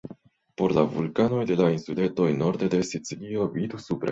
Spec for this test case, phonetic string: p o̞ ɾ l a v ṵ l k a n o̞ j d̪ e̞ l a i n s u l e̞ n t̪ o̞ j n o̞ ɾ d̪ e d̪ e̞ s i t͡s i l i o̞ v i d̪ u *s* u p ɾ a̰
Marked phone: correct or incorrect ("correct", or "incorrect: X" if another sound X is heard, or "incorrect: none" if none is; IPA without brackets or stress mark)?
correct